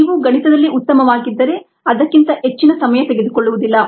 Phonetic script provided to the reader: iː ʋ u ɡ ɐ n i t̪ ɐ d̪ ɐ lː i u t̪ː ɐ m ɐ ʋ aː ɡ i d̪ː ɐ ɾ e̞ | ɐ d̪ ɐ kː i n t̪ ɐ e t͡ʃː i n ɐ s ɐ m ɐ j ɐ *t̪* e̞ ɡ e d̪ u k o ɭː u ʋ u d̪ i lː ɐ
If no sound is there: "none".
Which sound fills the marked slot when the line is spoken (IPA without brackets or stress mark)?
t̪